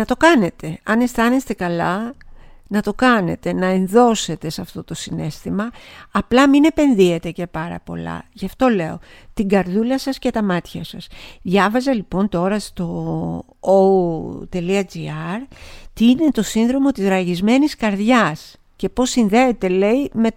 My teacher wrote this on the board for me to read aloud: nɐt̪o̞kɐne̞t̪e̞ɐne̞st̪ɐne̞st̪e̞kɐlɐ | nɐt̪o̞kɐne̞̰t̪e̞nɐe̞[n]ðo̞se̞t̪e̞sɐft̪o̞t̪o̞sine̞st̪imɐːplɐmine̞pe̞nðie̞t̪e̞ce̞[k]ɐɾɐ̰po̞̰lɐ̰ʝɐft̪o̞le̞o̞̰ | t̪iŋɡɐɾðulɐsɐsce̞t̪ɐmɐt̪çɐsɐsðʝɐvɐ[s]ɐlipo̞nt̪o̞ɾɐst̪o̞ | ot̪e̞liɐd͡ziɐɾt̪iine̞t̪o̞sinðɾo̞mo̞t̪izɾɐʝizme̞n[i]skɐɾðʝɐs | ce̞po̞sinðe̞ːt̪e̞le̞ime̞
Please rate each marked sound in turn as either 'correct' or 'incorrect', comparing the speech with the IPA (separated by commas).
correct, incorrect, incorrect, correct